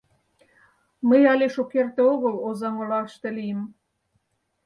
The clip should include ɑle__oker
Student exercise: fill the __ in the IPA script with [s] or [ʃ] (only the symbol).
ʃ